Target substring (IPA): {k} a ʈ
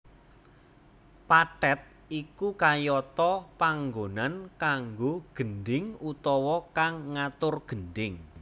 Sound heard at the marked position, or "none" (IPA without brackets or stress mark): p